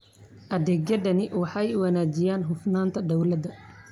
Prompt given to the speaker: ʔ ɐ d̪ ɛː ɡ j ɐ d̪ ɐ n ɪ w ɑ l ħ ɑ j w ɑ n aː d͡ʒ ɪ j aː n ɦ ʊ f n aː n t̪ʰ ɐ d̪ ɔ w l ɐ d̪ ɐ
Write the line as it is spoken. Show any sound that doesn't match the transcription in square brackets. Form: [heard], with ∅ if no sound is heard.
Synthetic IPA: ʔ ɐ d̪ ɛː ɡ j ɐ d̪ ɐ n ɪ w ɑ [∅] ħ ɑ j w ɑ n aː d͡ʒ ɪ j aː n ɦ ʊ f n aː n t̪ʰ ɐ d̪ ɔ w l ɐ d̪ ɐ